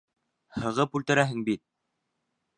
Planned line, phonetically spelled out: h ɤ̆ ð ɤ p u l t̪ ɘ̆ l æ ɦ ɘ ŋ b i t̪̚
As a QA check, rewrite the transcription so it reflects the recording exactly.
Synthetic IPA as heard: h ɤ̆ ʁ ɤ p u l t̪ ɘ̆ ɾ æ ɦ ɘ ŋ b i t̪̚